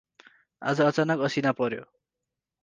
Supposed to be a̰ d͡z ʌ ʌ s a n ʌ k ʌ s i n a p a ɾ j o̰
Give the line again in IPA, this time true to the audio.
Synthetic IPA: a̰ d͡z ʌ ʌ t͡s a n ʌ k ʌ s i n a p ʌ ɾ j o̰